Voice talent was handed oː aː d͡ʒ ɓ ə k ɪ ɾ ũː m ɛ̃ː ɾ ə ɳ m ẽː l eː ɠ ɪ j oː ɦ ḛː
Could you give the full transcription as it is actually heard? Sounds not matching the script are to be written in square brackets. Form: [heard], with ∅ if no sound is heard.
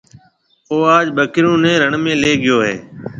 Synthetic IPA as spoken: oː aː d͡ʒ ɓ ə k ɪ ɾ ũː [n] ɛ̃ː ɾ ə ɳ m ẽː l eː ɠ ɪ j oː ɦ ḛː